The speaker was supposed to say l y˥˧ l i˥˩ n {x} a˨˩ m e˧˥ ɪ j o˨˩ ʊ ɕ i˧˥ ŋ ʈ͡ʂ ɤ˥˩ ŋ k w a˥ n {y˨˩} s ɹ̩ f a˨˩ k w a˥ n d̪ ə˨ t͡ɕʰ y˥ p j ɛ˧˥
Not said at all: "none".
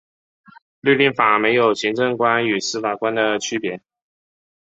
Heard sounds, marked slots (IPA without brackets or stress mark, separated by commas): f, y˨˩